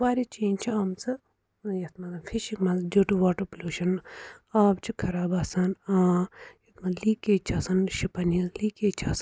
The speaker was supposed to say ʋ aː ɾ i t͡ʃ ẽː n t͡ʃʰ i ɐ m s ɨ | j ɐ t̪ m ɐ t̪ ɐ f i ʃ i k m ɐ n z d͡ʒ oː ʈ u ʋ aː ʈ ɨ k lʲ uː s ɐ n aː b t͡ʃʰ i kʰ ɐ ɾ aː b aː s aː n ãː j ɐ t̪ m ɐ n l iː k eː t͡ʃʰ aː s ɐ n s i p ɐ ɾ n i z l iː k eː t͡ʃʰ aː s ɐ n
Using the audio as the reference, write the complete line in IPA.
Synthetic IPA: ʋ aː ɾ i t͡ʃ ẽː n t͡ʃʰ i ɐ m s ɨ | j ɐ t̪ m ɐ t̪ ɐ f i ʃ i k m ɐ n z d͡ʒ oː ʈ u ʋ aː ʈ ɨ p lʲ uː ʃ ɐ n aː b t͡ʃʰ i kʰ ɐ ɾ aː b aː s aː n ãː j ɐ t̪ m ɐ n l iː k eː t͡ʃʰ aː s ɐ n ʃ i p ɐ n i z l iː k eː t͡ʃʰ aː s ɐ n